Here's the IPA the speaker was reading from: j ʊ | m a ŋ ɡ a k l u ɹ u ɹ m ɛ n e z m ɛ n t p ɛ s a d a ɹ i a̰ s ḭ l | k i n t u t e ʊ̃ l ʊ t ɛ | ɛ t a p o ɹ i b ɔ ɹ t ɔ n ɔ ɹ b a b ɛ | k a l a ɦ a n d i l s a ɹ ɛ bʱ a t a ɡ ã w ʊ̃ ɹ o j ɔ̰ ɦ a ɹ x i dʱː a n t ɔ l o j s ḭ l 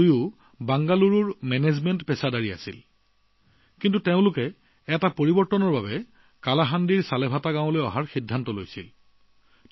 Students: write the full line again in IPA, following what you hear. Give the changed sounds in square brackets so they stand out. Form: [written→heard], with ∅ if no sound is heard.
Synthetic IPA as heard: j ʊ | [m→b] a ŋ ɡ a [k→∅] l u ɹ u ɹ m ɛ n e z m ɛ n t p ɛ s a d a ɹ i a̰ s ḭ l | k i n t u t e ʊ̃ l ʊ [t→k] ɛ | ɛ t a p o ɹ i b ɔ ɹ t ɔ n ɔ ɹ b a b ɛ | k a l a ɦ a n d i [l→ɹ] s a [ɹ→l] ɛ bʱ a t a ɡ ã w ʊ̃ [ɹ→l] o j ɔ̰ ɦ a ɹ x i dʱː a n t ɔ l o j s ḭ l

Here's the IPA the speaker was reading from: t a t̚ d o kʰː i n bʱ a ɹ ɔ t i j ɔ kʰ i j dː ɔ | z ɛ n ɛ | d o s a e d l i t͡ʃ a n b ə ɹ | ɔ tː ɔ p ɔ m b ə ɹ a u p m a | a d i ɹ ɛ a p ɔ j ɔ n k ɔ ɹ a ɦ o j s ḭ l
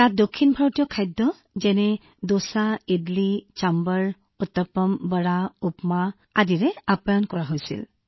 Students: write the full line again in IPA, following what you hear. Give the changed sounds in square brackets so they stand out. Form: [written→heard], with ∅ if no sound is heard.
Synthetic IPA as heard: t a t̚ d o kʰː i n bʱ a ɹ ɔ t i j ɔ kʰ [i→a] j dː ɔ | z ɛ n ɛ | d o s a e d l i t͡ʃ a [n→m] b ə ɹ | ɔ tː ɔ p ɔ m b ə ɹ a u p m a | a d i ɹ ɛ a p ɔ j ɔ n k ɔ ɹ a ɦ o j s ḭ l

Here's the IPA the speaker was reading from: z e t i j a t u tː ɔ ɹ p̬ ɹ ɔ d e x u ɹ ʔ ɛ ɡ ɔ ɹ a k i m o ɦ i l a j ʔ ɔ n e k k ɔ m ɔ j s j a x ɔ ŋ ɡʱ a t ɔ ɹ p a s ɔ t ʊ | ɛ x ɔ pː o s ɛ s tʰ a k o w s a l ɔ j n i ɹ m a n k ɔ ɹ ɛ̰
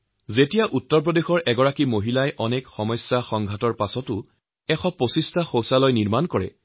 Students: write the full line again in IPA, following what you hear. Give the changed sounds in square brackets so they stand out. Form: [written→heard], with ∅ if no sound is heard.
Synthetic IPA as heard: z e t i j a [t→ʔ] u tː ɔ ɹ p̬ ɹ ɔ d e x [u→ɔ] ɹ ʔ ɛ ɡ ɔ ɹ a k i m o ɦ i l a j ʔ ɔ n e k [k→x] ɔ m ɔ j s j a x ɔ ŋ ɡʱ a t ɔ ɹ p a s ɔ t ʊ | ɛ x ɔ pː o s [ɛ→i] s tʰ a [k→x] o w s a l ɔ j n i ɹ m a n k ɔ ɹ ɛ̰

